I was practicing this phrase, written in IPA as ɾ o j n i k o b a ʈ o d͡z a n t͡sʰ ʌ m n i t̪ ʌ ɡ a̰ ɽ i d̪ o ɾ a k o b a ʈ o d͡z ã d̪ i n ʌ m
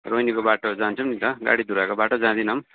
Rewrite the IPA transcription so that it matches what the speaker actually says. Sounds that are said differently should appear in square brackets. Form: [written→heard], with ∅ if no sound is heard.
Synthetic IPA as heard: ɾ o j n i k o b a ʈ o d͡z a n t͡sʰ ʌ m n i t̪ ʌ ɡ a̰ ɽ i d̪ [o→u] ɾ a k o b a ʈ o d͡z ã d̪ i n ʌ m